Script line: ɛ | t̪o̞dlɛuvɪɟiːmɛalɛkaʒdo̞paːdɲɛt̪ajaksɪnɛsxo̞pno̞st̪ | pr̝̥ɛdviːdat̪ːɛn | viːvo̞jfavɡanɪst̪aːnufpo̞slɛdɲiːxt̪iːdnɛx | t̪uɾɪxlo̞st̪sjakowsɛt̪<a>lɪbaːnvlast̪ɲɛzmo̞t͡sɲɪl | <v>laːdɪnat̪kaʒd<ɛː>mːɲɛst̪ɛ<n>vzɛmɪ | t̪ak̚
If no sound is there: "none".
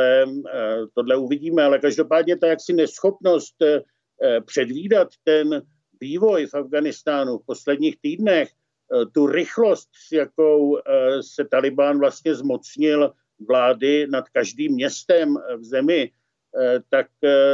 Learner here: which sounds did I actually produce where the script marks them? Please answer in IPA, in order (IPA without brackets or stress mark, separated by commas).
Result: a, v, iː, m